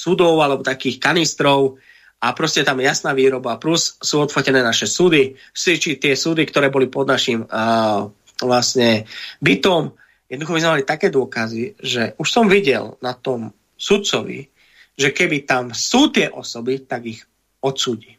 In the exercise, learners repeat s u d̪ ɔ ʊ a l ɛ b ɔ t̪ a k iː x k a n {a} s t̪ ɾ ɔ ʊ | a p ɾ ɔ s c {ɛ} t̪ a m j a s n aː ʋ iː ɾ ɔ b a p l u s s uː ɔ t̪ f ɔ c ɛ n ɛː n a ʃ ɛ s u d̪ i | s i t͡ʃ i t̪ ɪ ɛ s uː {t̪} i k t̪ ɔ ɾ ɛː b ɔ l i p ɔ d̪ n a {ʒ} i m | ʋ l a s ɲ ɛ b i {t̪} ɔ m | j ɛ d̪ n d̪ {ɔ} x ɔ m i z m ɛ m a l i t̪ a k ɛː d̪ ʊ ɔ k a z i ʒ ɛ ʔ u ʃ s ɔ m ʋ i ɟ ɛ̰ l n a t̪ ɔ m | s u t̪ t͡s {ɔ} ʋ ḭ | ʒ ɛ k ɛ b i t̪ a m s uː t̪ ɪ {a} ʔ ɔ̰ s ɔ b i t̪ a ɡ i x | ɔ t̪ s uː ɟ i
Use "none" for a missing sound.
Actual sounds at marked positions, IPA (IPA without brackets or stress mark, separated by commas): i, ɛ, d̪, ʃ, t̪, u, ɔ, ɛ